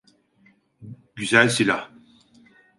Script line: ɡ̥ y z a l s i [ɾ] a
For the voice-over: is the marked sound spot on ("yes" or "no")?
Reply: no